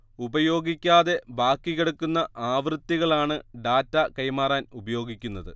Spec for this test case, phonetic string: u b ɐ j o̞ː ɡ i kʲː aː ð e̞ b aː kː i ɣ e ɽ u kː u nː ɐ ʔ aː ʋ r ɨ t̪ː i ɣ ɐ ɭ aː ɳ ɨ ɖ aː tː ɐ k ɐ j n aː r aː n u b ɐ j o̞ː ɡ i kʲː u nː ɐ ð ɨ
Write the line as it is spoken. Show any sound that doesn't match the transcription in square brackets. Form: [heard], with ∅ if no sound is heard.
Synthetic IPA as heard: u b ɐ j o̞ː ɡ i kʲː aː ð e̞ b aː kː i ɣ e ɽ u kː u nː ɐ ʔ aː ʋ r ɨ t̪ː i ɣ ɐ ɭ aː ɳ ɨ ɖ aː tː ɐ k ɐ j [m] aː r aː n u b ɐ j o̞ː ɡ i kʲː u nː ɐ ð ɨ